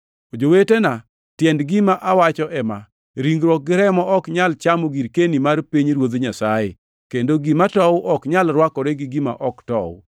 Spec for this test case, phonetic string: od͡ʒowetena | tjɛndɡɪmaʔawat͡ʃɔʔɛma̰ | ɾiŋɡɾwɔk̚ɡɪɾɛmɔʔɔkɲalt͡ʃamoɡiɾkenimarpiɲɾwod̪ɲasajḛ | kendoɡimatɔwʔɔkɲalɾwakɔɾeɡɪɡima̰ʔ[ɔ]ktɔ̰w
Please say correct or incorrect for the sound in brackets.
correct